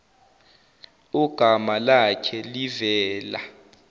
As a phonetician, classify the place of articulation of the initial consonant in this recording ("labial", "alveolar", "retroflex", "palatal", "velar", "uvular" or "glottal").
velar